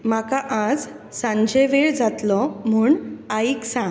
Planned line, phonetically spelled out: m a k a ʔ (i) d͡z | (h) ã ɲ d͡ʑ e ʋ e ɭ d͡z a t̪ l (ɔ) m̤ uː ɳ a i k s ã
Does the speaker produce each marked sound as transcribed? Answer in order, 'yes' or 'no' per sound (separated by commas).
no, no, yes